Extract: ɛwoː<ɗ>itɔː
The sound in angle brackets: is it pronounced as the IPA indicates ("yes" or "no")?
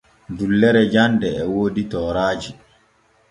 no